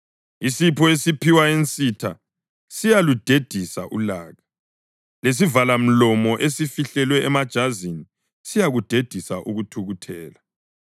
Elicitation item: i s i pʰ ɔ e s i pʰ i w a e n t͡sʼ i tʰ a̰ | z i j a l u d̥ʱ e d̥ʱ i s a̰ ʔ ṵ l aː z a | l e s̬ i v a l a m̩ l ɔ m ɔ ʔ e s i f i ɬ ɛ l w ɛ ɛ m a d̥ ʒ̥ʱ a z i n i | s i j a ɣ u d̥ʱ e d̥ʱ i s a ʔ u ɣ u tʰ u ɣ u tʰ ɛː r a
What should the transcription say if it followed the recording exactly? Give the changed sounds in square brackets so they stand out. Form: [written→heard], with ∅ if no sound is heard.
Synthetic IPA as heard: i s i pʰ ɔ e s i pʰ i w a e n t͡sʼ i tʰ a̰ | [z→s] i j a l u d̥ʱ e d̥ʱ i s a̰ ʔ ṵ l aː [z→ɣ] a | l e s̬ i v a l a m̩ l ɔ m ɔ ʔ e s i f i ɬ ɛ l w ɛ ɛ m a d̥ ʒ̥ʱ a z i n i | s i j a ɣ u d̥ʱ e d̥ʱ i s a ʔ u ɣ u tʰ u ɣ u tʰ ɛː [r→l] a